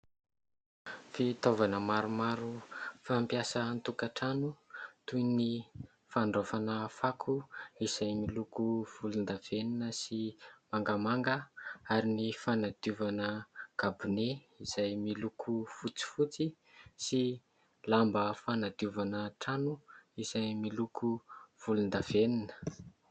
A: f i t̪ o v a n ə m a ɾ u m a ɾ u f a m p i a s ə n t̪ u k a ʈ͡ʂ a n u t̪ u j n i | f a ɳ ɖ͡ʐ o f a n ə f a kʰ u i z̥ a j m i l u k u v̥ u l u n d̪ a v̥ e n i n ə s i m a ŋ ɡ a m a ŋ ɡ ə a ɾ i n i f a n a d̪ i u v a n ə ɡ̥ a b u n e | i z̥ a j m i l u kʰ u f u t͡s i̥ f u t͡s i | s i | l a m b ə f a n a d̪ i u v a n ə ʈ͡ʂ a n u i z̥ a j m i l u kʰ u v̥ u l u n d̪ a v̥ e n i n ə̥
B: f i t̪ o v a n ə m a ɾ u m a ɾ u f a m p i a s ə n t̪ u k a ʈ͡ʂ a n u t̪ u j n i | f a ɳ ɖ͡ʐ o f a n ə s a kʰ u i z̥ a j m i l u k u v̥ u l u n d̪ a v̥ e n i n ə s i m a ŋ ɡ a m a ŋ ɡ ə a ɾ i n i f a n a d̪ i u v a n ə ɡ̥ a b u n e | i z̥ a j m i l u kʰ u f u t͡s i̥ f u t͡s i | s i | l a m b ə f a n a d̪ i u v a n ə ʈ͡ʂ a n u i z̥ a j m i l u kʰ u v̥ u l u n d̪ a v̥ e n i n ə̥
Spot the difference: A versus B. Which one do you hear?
A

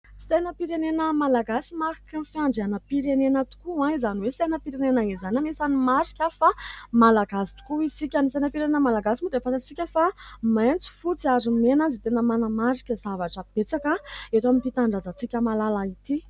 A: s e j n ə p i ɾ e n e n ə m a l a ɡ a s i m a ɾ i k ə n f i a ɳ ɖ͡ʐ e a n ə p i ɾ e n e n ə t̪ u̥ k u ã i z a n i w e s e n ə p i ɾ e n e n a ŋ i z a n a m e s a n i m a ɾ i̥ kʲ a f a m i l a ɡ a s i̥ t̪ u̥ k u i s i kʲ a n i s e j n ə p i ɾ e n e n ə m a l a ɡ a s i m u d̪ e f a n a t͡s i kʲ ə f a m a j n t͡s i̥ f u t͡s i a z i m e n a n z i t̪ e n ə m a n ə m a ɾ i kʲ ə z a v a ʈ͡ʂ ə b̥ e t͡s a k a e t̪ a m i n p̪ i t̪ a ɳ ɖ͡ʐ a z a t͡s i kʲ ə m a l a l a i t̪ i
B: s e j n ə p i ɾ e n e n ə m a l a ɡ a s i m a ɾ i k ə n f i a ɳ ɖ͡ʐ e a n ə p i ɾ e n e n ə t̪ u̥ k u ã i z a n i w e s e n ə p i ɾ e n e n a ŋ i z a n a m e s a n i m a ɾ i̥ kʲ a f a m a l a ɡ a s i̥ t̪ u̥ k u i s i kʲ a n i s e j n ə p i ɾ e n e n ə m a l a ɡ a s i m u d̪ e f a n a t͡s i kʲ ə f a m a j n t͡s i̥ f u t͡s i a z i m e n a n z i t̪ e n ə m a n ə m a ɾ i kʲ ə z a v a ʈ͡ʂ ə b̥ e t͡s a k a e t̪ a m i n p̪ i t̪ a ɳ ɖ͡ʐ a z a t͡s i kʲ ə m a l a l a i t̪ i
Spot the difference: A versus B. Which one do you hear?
B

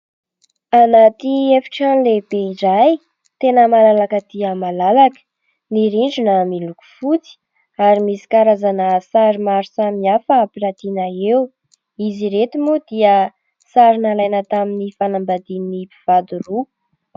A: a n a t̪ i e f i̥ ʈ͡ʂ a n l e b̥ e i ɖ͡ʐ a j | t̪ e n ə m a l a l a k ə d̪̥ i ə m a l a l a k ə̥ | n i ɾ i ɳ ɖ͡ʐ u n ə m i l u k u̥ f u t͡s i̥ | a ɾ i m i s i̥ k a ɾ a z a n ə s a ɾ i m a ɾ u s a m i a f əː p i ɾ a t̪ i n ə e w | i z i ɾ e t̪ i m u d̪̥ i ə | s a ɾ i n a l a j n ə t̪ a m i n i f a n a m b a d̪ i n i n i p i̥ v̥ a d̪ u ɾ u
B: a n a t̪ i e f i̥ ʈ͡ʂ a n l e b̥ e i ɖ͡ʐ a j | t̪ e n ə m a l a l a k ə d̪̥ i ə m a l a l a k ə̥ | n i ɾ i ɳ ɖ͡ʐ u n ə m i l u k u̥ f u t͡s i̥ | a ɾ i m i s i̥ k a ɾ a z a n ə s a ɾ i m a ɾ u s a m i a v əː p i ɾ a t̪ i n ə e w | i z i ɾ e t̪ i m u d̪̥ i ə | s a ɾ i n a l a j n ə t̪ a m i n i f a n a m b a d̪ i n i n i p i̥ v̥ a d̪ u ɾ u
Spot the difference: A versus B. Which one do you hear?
A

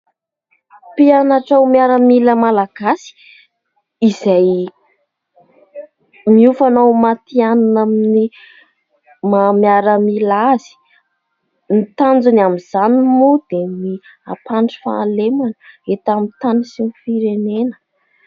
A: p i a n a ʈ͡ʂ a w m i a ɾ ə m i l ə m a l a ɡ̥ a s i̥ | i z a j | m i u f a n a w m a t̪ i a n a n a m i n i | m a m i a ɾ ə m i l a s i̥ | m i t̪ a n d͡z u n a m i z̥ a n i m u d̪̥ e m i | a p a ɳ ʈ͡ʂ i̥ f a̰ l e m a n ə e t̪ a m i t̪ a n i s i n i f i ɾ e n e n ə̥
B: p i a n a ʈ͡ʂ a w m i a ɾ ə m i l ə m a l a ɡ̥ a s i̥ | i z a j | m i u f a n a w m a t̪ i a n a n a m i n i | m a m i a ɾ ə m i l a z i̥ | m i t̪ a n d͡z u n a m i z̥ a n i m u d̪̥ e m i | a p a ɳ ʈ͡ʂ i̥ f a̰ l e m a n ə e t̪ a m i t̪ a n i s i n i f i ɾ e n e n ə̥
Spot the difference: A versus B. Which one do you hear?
B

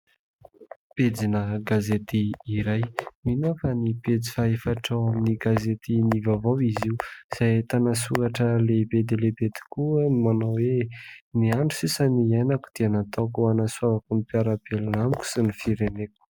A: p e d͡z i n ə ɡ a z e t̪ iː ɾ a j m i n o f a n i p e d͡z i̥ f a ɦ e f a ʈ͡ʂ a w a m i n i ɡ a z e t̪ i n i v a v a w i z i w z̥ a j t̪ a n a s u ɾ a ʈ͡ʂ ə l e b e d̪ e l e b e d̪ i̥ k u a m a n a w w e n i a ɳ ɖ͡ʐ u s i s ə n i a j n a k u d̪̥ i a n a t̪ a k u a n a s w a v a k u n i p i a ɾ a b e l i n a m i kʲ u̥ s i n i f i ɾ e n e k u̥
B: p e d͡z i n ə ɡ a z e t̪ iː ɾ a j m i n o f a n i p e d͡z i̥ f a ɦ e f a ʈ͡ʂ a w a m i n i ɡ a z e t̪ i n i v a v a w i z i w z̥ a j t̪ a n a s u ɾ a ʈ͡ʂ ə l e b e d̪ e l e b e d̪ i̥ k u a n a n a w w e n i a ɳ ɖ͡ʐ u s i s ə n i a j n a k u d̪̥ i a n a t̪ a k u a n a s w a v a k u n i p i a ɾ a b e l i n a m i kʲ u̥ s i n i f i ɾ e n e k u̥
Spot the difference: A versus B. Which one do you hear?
A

